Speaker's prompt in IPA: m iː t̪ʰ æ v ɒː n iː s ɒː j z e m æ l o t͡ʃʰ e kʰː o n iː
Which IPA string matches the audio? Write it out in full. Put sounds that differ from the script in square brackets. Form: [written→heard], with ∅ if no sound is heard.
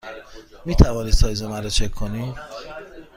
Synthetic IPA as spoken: m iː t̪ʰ æ v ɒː n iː s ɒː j z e m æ [l→ɾ] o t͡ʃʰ e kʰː o n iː